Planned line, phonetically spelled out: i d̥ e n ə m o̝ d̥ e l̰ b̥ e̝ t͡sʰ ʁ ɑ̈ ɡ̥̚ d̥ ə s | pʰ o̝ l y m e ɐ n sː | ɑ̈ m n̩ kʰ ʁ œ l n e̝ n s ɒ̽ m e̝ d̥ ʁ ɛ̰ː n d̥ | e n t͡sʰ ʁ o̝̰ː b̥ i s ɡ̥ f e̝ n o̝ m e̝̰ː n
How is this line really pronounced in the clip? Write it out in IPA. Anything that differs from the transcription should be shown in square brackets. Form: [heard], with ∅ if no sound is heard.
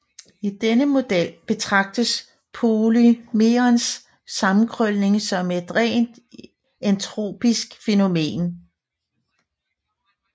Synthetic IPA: i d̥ e n ə m o̝ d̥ e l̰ b̥ e̝ t͡sʰ ʁ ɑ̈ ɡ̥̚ d̥ ə s | pʰ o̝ l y m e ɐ n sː | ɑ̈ m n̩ kʰ ʁ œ l n e̝ [ŋ] s ɒ̽ m e̝ d̥ ʁ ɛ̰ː n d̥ | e n t͡sʰ ʁ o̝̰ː b̥ i s ɡ̥ f e̝ n o̝ m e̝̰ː n

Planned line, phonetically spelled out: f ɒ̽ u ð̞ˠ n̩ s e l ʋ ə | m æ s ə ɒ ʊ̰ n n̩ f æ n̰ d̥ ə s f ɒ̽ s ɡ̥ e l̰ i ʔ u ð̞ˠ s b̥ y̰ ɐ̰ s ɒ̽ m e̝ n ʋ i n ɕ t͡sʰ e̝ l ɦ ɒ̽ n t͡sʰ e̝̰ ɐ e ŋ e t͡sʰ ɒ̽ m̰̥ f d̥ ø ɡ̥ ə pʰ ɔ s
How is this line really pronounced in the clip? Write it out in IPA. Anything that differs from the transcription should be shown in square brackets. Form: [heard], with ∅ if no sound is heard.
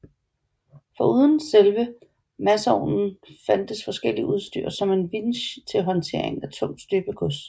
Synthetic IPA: f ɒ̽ u ð̞ˠ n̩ s e l ʋ ə | m æ s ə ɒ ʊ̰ n n̩ f æ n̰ d̥ ə s f ɒ̽ s ɡ̥ e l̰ i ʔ u ð̞ˠ s [d̥] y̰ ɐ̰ s ɒ̽ m e̝ n ʋ i n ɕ t͡sʰ e̝ l ɦ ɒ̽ n t͡sʰ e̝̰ ɐ e ŋ [æ] t͡sʰ [ɔ̽] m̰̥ [s] d̥ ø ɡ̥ ə [kʰ] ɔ s

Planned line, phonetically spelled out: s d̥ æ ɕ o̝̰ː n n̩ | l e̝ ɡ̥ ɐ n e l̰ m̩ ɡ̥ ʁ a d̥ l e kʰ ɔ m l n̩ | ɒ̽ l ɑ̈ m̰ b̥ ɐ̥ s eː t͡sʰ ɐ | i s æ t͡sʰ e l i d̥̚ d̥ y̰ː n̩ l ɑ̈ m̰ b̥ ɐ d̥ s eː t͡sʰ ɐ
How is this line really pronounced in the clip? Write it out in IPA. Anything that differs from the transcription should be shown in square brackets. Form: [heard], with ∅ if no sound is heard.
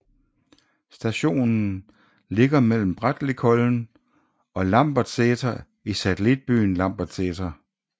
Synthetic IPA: s d̥ æ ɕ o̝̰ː n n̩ | l e̝ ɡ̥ ɐ [m] e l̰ m̩ [b̥] ʁ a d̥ l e kʰ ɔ [∅] l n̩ | ɒ̽ l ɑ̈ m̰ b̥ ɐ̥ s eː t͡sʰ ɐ | i s æ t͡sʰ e l i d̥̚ [b̥] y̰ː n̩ l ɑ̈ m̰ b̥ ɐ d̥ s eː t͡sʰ ɐ

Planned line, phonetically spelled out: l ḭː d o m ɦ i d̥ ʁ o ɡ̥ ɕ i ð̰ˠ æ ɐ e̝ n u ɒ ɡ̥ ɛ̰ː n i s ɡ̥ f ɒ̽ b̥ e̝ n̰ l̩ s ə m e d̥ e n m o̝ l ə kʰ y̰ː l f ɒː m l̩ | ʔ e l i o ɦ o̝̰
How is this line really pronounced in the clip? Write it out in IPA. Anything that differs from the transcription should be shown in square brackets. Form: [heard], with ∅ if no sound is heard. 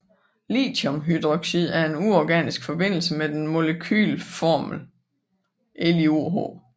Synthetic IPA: l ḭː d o m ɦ [y] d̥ ʁ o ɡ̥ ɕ i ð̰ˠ æ ɐ e̝ n u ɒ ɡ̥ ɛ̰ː n i s ɡ̥ f ɒ̽ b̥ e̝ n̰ l̩ s ə m e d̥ e n m o̝ l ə kʰ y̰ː l f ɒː m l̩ | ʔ e l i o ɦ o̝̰

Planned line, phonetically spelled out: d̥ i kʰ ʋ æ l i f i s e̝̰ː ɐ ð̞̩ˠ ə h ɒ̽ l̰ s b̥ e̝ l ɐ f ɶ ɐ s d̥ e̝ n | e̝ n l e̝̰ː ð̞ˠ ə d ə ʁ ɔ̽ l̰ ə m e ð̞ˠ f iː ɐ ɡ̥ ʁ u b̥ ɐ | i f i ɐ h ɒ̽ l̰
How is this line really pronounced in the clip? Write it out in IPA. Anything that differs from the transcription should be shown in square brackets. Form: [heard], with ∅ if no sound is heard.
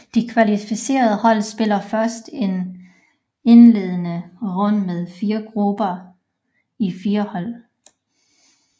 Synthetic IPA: d̥ i kʰ ʋ æ l i f i s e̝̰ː ɐ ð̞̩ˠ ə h ɒ̽ l̰ s b̥ e̝ l ɐ f ɶ ɐ s d̥ e̝ n | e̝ n l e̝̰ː ð̞ˠ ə [n] ə ʁ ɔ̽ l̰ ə m e ð̞ˠ f iː ɐ ɡ̥ ʁ u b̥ ɐ | i f [iː] ɐ h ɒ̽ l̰

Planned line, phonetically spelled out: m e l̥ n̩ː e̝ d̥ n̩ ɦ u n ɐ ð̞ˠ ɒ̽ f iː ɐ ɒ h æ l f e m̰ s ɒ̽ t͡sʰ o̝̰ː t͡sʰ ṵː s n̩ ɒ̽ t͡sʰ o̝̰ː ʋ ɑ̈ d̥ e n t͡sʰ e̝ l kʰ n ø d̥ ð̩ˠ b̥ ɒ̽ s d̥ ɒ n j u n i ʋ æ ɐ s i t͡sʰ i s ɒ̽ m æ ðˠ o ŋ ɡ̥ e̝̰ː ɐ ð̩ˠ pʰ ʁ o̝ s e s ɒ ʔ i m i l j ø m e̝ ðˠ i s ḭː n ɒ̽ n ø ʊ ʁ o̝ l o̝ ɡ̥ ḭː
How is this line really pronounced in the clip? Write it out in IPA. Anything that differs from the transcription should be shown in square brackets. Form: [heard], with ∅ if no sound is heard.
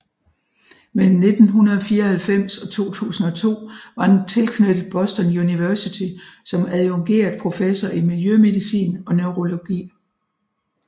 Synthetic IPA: m e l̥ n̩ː e̝ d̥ n̩ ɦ u n ɐ ð̞ˠ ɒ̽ f iː ɐ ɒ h æ l f e m̰ s ɒ̽ t͡sʰ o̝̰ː t͡sʰ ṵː s n̩ ɒ̽ t͡sʰ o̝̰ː ʋ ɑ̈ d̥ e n t͡sʰ e̝ l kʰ n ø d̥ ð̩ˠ b̥ ɒ̽ s d̥ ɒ n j u n i ʋ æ ɐ s i t͡sʰ i s ɒ̽ m æ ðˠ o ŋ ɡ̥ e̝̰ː ɐ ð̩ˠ pʰ ʁ o̝ [f] e s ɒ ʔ i m i l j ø m e̝ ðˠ i s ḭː n ɒ̽ n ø ʊ ʁ o̝ l o̝ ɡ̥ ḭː

